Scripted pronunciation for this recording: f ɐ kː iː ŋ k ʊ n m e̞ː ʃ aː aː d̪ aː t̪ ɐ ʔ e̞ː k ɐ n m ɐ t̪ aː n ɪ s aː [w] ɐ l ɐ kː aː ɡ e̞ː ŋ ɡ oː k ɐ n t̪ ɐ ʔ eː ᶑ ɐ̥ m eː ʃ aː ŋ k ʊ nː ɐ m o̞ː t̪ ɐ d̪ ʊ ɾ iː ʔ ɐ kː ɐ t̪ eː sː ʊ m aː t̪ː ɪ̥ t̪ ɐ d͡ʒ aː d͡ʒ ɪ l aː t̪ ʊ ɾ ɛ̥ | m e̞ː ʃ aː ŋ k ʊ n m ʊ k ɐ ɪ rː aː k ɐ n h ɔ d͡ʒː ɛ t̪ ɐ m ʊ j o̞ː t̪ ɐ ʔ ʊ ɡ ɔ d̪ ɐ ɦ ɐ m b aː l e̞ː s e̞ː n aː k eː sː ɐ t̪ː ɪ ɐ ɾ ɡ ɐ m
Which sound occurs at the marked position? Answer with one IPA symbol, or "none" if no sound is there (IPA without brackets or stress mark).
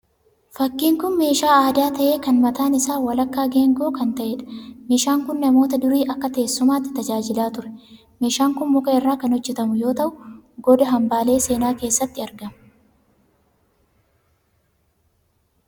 w